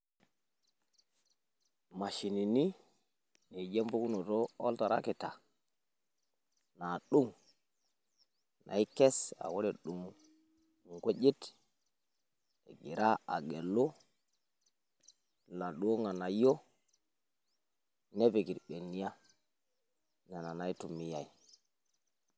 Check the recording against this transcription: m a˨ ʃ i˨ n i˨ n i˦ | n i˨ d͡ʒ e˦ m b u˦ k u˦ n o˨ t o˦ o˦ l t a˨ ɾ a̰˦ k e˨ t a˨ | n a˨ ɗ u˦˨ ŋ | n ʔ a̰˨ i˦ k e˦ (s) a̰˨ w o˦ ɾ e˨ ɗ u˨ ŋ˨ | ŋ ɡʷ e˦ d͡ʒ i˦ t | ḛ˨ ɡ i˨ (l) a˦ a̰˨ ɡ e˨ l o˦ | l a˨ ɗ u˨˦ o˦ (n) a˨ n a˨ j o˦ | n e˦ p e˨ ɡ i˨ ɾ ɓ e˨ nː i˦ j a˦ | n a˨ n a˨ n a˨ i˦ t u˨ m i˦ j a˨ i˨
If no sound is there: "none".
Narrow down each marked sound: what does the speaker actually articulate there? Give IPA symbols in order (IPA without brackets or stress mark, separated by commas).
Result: s, ɾ, ŋ